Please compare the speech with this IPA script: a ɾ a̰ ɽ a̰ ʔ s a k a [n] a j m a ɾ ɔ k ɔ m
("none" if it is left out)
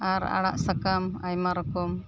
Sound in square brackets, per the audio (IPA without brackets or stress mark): m